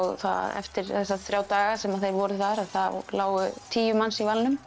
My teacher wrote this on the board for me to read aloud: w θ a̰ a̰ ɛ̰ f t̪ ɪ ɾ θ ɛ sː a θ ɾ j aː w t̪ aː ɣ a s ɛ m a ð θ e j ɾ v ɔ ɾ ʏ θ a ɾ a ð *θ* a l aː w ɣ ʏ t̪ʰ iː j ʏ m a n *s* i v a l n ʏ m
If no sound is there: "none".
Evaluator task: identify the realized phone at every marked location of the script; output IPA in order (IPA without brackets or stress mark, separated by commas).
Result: θ, s